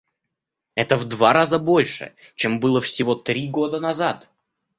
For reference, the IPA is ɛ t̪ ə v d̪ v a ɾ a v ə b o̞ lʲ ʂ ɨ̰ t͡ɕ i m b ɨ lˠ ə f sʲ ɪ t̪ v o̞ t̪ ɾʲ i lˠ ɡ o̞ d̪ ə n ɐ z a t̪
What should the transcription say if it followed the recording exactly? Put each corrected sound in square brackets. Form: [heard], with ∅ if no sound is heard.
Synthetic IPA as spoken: ɛ t̪ ə v d̪ v a ɾ a [z] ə b o̞ lʲ ʂ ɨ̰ t͡ɕ [e] m b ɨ lˠ ə f sʲ ɪ [∅] v o̞ t̪ ɾʲ i [∅] ɡ o̞ d̪ ə n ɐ z a t̪